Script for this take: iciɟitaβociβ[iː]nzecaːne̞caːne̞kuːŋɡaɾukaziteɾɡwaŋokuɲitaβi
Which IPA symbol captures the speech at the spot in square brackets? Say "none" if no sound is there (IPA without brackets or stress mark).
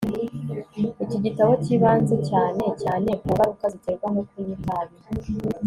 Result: aː